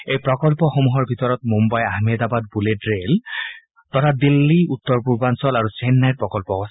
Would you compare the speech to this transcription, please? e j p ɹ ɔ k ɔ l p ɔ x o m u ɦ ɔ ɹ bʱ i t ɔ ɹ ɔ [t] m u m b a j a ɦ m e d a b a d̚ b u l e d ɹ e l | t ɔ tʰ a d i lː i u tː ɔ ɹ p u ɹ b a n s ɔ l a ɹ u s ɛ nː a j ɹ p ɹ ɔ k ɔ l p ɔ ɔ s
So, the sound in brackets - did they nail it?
yes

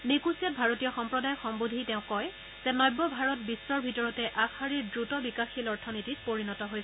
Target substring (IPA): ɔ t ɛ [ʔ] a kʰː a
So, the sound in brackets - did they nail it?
yes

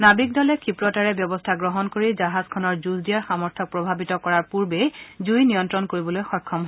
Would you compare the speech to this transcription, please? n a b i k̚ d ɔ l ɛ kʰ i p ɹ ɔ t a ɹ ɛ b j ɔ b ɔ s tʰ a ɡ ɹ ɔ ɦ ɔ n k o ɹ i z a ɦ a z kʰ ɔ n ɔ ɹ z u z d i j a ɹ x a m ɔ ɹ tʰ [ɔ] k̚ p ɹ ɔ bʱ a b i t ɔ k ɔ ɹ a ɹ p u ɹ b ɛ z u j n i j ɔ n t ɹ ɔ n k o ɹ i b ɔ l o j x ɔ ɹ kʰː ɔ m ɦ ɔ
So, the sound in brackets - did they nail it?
yes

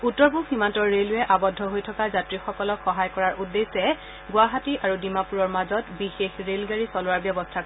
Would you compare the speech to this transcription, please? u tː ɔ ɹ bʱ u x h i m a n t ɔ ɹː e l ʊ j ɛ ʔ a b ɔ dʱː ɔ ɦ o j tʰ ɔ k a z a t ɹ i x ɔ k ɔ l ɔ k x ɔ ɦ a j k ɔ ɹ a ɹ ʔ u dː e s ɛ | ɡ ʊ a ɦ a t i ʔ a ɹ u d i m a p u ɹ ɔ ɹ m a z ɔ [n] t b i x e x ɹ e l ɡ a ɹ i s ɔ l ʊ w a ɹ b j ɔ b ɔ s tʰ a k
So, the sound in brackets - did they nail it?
no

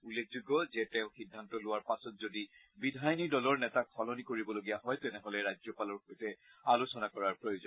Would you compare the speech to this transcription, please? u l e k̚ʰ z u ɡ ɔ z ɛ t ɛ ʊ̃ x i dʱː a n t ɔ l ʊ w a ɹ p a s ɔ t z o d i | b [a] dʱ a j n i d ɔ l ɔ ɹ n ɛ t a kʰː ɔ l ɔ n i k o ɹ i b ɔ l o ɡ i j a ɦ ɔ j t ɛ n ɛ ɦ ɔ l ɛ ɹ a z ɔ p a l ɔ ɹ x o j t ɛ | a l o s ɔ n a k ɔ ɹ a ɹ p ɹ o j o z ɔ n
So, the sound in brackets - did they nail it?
no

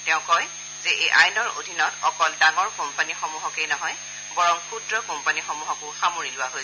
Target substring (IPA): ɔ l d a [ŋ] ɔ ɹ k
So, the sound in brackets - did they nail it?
yes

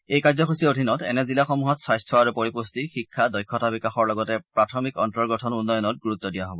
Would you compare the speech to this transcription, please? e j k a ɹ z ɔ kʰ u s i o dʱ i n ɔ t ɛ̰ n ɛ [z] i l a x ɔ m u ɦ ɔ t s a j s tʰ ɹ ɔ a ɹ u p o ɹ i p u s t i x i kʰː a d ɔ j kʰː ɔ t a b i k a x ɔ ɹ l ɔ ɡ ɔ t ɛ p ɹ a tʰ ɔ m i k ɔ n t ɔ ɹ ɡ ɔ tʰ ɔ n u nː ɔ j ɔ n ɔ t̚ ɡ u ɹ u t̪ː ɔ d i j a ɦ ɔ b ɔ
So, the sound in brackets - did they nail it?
yes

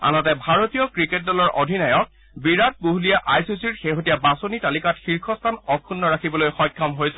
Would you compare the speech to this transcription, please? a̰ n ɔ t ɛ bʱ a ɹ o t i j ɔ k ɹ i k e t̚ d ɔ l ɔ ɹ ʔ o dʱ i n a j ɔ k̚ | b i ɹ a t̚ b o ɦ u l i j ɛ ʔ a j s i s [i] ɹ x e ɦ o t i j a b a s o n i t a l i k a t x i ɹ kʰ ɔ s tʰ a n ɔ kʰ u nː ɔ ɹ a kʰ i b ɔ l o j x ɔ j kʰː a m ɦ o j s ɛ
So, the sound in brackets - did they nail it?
yes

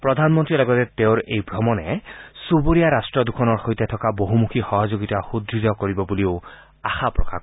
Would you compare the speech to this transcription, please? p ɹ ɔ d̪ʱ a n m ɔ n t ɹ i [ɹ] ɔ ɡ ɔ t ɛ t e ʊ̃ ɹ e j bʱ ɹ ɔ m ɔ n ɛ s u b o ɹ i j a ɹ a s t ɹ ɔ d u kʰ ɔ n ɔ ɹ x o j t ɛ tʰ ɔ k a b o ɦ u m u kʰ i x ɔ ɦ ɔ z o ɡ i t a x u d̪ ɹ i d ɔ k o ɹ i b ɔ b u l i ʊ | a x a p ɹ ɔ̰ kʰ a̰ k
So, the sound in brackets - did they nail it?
no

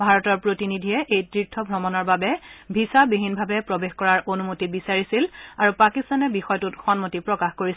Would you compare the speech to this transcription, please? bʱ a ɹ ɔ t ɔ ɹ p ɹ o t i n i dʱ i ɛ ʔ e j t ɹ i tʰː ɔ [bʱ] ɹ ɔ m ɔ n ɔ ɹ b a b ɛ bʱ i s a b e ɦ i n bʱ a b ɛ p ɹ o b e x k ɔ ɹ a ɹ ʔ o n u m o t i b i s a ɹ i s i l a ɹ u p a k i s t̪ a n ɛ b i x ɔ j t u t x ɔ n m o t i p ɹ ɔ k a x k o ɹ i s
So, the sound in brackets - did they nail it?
yes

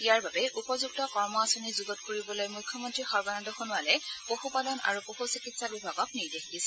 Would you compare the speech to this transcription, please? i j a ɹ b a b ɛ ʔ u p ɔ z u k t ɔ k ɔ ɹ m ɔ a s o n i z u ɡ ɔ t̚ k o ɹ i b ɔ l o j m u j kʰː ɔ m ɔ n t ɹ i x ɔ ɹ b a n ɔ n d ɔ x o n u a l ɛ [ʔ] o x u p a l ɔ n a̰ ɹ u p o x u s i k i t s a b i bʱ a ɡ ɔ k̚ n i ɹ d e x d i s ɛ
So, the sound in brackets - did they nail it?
no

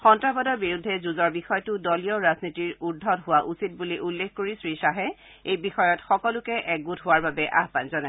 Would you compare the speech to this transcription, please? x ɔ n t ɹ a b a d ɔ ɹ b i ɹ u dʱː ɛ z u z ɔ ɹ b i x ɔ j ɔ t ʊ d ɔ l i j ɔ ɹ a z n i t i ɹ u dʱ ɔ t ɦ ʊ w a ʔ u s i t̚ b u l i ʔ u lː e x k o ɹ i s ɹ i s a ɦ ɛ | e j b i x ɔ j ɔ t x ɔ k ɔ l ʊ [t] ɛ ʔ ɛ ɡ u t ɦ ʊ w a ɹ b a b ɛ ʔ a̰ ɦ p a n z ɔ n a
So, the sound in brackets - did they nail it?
no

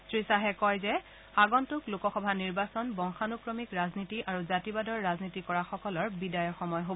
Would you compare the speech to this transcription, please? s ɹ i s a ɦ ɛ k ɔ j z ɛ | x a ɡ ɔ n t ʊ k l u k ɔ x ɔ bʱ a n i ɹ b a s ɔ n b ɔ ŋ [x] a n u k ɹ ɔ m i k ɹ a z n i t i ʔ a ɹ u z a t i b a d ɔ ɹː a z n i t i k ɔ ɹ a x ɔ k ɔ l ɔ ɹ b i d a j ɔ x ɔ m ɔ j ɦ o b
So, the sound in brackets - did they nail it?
yes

